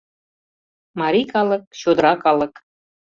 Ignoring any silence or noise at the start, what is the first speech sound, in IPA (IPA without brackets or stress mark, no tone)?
m